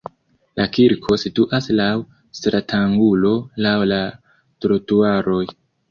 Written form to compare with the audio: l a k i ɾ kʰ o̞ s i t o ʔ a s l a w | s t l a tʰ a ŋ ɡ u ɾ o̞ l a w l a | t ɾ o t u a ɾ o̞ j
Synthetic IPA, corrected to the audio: l a k i ɾ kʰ o̞ s i t u ʔ a s l a w | s t ɾ a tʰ a ŋ ɡ u l o̞ l a w l a | t ɾ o t u a ɾ o̞ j